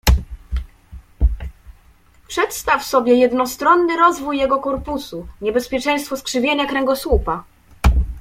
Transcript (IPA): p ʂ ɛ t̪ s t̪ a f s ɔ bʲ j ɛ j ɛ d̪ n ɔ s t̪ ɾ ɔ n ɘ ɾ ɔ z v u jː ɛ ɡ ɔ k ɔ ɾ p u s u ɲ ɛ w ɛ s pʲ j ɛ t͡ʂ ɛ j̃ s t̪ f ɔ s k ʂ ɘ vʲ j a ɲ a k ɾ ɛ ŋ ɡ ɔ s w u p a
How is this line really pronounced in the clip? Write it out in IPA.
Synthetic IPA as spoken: p ʂ ɛ t̪ s t̪ a f s ɔ bʲ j ɛ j ɛ d̪ n ɔ s t̪ ɾ ɔ nː ɘ ɾ ɔ z v u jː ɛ ɡ ɔ k ɔ ɾ p u s u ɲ ɛ b ɛ s pʲ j ɛ t͡ʂ ɛ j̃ s t̪ f ɔ s k ʂ ɘ vʲ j e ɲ a k ɾ ɛ ŋ ɡ ɔ s w u p a